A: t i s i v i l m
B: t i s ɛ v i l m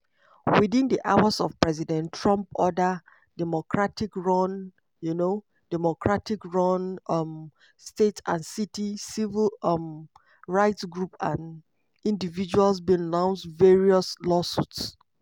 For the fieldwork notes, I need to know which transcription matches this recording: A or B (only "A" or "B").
A